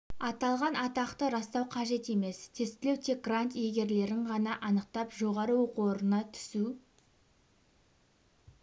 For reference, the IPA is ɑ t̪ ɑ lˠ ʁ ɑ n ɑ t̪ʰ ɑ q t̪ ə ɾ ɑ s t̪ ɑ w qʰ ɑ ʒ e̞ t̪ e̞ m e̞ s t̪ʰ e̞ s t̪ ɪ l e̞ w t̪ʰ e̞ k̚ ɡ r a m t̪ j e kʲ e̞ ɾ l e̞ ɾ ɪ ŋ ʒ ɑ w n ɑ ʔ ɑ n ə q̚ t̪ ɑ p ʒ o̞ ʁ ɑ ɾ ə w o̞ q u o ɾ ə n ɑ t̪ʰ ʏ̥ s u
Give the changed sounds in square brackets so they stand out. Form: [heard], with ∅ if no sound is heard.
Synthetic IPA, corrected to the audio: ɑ t̪ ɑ lˠ ʁ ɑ n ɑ [t̪] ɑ q t̪ ə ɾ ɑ s t̪ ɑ w qʰ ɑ ʒ e̞ t̪ e̞ m e̞ s t̪ʰ e̞ s t̪ ɪ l e̞ w t̪ʰ e̞ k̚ ɡ r a [n] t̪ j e [ɡʲ] e̞ ɾ l e̞ ɾ ɪ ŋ [ʁ] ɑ [∅] n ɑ ʔ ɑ n ə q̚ t̪ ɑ p ʒ o̞ ʁ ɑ ɾ ə w o̞ q u o ɾ ə n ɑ t̪ʰ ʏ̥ s u

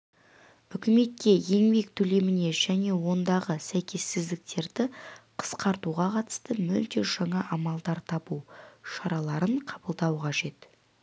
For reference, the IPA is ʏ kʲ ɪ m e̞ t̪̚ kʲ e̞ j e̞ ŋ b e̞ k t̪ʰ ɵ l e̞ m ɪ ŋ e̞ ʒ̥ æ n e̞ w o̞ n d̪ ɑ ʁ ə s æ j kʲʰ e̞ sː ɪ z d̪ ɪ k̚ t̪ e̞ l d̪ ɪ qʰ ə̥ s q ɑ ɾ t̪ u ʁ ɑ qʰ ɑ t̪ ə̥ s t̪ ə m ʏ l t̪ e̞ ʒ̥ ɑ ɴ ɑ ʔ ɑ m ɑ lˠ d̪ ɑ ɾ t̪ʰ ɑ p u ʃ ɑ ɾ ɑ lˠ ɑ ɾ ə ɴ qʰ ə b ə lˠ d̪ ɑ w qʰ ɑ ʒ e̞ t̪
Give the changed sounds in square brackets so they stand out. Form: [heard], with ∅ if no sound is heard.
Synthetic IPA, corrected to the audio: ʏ kʲ ɪ m e̞ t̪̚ kʲ e̞ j e̞ ŋ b e̞ k t̪ʰ ɵ l e̞ m ɪ [n] e̞ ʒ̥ æ n e̞ w o̞ n d̪ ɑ ʁ ə s æ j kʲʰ e̞ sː ɪ z d̪ ɪ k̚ t̪ e̞ [ɾ] d̪ ɪ qʰ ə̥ s q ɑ ɾ t̪ u ʁ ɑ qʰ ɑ t̪ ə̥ s t̪ ə m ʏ l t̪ e̞ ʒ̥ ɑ ɴ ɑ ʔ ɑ m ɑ lˠ d̪ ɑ ɾ t̪ʰ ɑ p u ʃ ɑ ɾ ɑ lˠ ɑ ɾ ə ɴ qʰ [ɑ] b ə lˠ d̪ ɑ w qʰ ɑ ʒ e̞ t̪

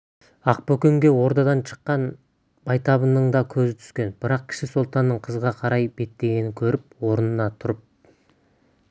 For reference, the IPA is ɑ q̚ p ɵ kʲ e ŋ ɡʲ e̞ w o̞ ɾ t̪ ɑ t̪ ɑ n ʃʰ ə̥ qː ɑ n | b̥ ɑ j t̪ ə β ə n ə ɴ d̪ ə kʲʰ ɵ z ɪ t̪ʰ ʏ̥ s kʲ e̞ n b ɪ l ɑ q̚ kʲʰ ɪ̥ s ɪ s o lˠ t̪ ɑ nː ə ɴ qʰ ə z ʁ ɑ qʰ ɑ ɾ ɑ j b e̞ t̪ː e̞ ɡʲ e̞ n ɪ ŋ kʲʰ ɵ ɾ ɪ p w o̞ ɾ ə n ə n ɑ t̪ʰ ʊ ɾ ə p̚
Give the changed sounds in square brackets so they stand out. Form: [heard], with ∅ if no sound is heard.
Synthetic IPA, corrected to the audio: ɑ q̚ p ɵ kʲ e ŋ ɡʲ e̞ w o̞ ɾ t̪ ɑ [d̪] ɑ n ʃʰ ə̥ qː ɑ n | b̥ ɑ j t̪ [ɑ] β ə n ə ɴ d̪ [ɑ] kʲʰ ɵ z ɪ t̪ʰ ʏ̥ s kʲ e̞ n b ɪ [ɾ] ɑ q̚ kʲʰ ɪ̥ [ʃ] ɪ s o lˠ t̪ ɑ nː ə ɴ qʰ ə z ʁ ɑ qʰ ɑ ɾ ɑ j b e̞ t̪ː e̞ ɡʲ e̞ n ɪ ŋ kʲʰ ɵ ɾ ɪ p w o̞ ɾ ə n ə n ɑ t̪ʰ ʊ ɾ ə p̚

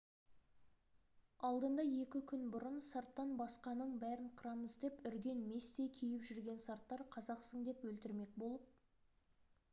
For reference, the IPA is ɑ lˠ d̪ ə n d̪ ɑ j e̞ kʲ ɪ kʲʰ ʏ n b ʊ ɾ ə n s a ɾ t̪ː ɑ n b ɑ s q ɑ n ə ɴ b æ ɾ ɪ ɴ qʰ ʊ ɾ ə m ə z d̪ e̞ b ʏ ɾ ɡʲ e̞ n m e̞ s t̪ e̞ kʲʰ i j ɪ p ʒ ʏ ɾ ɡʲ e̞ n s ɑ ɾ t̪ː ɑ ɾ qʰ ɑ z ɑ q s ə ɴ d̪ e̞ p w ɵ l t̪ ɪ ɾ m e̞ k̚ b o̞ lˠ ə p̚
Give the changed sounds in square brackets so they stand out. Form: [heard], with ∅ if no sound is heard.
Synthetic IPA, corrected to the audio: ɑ lˠ d̪ ə n d̪ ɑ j e̞ kʲ ɪ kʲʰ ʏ n b ʊ ɾ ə n s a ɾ t̪ː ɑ n b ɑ s q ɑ n ə ɴ b æ ɾ ɪ ɴ qʰ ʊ ɾ [ɑ] m ə z d̪ e̞ [p] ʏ ɾ ɡʲ e̞ n m e̞ s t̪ e̞ kʲʰ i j ɪ p ʒ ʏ ɾ ɡʲ e̞ n s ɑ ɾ t̪ː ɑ ɾ qʰ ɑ z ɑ q s ə ɴ d̪ e̞ p w ɵ l t̪ ɪ ɾ m e̞ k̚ b o̞ lˠ ə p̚

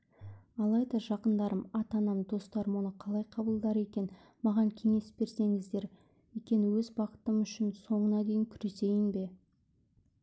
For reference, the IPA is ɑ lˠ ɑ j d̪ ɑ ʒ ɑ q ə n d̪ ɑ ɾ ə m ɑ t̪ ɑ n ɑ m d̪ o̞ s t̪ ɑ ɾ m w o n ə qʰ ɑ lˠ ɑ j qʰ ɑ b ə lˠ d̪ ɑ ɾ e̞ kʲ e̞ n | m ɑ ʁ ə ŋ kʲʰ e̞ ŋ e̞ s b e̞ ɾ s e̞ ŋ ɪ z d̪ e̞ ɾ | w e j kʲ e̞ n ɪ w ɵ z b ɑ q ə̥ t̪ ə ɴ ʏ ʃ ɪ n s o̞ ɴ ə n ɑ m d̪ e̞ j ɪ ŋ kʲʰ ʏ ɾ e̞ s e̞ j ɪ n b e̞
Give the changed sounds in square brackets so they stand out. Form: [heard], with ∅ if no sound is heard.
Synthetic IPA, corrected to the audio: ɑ lˠ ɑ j d̪ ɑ ʒ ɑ q ə n d̪ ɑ ɾ ə m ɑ t̪ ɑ n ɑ m d̪ o̞ s t̪ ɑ ɾ m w o n ə qʰ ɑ lˠ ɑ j qʰ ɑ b ə lˠ d̪ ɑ ɾ e̞ kʲ e̞ n | m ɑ ʁ [ɑ] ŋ kʲʰ e̞ ŋ e̞ s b e̞ ɾ s e̞ ŋ ɪ z d̪ e̞ ɾ | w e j kʲ e̞ n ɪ w ɵ z b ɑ q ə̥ t̪ ə [m] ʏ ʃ ɪ n s o̞ ɴ ə n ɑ [∅] d̪ e̞ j ɪ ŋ kʲʰ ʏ ɾ e̞ s e̞ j ɪ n b e̞

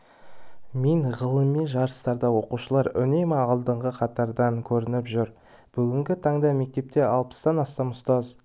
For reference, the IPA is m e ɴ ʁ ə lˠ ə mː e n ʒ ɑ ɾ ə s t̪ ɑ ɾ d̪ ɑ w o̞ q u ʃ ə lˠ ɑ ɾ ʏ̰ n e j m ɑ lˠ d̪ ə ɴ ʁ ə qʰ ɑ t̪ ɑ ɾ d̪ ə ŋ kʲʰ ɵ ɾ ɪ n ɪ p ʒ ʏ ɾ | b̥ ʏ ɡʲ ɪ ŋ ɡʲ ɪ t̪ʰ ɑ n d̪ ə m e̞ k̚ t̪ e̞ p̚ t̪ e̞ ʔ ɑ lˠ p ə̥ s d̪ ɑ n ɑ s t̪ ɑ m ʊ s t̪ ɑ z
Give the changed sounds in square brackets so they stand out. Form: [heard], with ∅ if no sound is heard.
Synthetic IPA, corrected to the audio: m e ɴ ʁ ə lˠ ə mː e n ʒ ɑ ɾ ə s t̪ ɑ ɾ d̪ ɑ w o̞ q u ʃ ə lˠ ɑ ɾ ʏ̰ n e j m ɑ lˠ d̪ ə ɴ ʁ ə qʰ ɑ t̪ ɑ ɾ d̪ [ɑ] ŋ kʲʰ ɵ ɾ ɪ n ɪ p ʒ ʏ ɾ | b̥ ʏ ɡʲ ɪ ŋ ɡʲ ɪ t̪ʰ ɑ [ɴ] d̪ [ɑ] m e̞ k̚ t̪ e̞ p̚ t̪ e̞ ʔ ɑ lˠ p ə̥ s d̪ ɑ n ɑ s t̪ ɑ m ʊ s t̪ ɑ z

